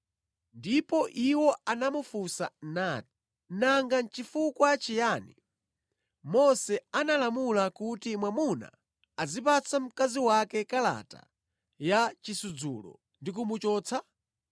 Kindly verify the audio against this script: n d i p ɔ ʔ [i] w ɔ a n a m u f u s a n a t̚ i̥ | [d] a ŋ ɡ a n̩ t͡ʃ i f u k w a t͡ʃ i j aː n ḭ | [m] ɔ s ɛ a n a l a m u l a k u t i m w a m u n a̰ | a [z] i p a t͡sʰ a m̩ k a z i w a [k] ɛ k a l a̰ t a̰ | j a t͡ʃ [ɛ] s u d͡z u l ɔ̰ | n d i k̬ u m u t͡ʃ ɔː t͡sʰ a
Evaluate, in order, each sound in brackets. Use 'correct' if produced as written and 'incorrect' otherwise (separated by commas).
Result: correct, incorrect, correct, correct, correct, incorrect